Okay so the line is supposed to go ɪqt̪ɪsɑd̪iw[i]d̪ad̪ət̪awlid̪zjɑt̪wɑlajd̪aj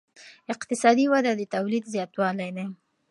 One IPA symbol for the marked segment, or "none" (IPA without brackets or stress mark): a